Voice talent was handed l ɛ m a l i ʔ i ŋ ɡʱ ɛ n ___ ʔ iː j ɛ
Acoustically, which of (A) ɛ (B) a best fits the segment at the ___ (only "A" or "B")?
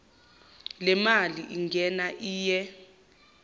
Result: B